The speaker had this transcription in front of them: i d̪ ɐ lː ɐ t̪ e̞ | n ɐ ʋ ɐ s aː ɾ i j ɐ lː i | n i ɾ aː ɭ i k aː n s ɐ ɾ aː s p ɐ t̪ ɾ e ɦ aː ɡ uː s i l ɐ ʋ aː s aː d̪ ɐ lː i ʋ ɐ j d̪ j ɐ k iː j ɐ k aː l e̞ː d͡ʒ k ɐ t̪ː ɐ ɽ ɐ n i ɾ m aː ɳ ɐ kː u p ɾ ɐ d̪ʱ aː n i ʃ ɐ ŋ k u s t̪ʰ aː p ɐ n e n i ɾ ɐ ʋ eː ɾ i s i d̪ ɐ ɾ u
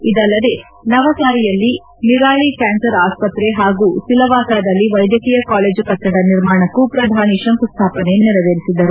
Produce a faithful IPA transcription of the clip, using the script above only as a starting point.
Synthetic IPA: i d̪ ɐ lː ɐ d̪ e̞ | n ɐ ʋ ɐ s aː ɾ i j ɐ lː i | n i ɾ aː ɭ i k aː n s ɐ ɾ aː s p ɐ t̪ ɾ e ɦ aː ɡ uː s i l ɐ ʋ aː s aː d̪ ɐ lː i ʋ ɐ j d̪ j ɐ k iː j ɐ k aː l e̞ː d͡ʒ k ɐ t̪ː ɐ ɽ ɐ n i ɾ m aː ɳ ɐ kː u p ɾ ɐ d̪ʱ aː n i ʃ ɐ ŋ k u s t̪ʰ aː p ɐ n e n i ɾ ɐ ʋ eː ɾ i s i d̪ ɐ ɾ u